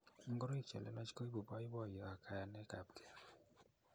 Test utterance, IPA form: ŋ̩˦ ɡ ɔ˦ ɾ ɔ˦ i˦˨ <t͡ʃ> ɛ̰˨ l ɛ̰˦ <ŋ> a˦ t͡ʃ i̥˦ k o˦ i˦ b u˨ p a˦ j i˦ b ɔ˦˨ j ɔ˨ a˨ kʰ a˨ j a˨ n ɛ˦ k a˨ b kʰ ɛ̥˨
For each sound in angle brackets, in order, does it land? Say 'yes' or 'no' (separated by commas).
yes, no